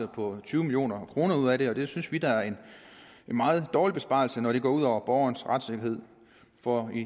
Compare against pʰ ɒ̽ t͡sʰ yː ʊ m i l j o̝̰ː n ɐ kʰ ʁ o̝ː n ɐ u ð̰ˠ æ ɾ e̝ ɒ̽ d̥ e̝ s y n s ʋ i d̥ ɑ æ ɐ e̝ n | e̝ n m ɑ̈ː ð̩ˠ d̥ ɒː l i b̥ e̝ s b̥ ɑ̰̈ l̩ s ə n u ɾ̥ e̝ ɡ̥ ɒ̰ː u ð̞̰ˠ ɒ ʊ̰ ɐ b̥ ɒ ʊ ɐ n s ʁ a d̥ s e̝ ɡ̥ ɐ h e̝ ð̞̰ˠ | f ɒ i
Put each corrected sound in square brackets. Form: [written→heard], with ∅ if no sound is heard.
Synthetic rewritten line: pʰ ɒ̽ t͡sʰ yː ʊ m i l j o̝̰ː n ɐ kʰ ʁ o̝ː n ɐ u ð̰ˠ æ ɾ e̝ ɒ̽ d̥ e̝ s y n s ʋ i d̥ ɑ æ ɐ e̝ n | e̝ n m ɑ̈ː ð̩ˠ d̥ ɒː l i b̥ e̝ s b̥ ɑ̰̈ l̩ s ə n [u→ɒ] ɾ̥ e̝ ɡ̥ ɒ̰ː u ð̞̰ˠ ɒ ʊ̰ ɐ b̥ ɒ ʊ ɐ n s ʁ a d̥ s e̝ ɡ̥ ɐ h e̝ ð̞̰ˠ | f ɒ i